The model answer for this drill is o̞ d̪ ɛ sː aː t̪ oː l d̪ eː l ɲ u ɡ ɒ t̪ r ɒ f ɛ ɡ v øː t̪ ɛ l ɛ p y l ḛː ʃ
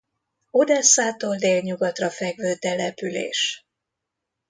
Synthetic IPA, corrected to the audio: o̞ d̪ ɛ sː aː t̪ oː l d̪ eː l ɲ u ɡ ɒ t̪ r ɒ f ɛ ɡ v øː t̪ ɛ l ɛ p y l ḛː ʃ